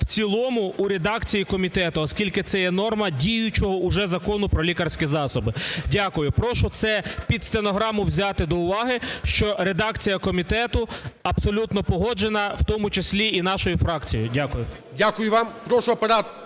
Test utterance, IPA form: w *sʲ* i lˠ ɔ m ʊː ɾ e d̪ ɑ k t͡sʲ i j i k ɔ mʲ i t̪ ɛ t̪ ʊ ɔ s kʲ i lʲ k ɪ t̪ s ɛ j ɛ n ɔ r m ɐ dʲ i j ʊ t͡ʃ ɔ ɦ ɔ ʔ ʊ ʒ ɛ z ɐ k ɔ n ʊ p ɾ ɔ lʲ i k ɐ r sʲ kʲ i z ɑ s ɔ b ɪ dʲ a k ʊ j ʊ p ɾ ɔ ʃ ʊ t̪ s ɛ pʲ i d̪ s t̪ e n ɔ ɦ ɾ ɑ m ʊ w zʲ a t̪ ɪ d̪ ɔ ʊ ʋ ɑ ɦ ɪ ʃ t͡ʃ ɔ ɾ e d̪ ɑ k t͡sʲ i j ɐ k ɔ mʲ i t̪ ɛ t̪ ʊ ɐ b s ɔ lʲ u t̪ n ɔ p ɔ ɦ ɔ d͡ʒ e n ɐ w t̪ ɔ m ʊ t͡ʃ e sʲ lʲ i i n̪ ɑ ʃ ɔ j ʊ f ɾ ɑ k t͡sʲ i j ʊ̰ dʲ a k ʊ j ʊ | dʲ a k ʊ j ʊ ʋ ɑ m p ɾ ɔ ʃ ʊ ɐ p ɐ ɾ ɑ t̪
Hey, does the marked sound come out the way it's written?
no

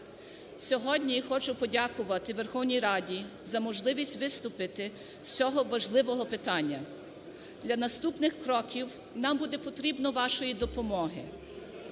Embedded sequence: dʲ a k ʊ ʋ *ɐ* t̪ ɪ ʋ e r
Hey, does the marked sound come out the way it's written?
yes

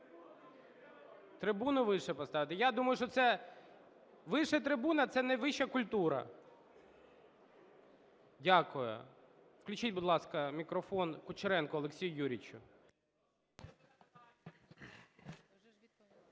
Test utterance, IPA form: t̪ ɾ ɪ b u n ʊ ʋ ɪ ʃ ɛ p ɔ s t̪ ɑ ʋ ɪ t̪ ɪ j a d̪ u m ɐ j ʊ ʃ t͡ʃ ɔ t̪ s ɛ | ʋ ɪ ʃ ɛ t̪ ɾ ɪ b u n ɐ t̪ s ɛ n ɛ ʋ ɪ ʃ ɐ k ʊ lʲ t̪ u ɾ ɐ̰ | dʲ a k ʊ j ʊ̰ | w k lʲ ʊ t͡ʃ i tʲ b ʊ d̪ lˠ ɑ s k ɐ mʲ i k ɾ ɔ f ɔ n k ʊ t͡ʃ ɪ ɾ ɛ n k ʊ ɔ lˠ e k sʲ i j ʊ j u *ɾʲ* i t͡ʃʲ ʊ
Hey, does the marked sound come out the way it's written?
yes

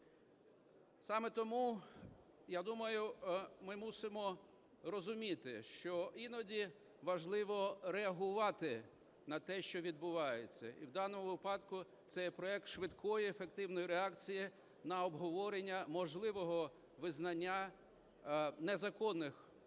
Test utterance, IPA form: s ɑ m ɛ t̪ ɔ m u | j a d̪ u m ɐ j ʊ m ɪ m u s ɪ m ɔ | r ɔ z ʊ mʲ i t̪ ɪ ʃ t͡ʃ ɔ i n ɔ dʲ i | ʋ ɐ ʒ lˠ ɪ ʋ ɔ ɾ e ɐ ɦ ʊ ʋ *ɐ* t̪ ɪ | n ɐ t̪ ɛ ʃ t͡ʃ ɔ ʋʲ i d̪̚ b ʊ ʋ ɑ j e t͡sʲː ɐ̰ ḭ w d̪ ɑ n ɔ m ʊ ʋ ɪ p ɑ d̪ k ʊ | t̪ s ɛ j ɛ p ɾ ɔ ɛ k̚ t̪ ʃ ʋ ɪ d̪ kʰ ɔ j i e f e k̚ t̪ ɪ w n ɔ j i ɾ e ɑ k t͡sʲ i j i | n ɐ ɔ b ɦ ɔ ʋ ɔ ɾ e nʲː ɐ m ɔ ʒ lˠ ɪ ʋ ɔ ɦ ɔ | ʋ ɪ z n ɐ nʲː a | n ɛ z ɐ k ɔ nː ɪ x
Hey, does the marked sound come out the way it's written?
no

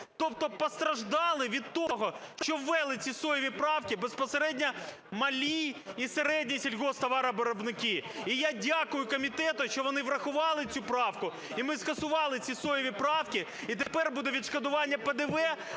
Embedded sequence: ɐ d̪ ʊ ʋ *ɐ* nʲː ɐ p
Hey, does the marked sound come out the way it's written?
no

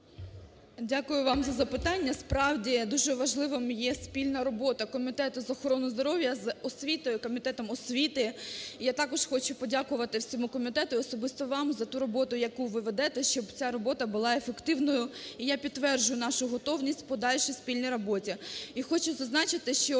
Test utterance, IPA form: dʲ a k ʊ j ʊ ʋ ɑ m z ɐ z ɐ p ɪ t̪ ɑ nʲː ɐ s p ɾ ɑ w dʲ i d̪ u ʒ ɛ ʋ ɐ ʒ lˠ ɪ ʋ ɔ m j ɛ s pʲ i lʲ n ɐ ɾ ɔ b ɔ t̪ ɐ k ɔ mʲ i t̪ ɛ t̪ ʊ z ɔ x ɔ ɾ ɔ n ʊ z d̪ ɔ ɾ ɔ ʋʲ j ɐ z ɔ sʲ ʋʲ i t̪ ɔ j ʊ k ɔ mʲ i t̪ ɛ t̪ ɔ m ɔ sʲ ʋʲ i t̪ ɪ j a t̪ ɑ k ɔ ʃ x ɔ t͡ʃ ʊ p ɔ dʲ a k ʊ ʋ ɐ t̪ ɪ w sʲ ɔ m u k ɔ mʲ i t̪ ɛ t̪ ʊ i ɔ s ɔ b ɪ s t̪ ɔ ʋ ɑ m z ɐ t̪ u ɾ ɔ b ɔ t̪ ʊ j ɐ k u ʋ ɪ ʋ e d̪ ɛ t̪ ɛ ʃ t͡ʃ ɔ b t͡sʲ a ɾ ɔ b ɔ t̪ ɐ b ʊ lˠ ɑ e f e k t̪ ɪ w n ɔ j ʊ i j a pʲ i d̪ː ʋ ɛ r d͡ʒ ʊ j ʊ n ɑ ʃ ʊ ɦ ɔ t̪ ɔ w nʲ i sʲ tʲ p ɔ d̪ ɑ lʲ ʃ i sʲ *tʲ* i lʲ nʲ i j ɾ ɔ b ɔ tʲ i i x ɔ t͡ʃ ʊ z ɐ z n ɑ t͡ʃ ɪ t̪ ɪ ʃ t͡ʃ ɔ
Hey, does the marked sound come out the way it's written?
no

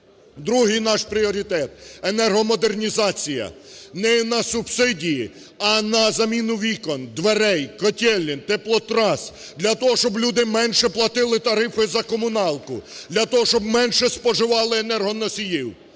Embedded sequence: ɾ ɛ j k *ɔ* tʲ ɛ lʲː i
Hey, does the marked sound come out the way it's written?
yes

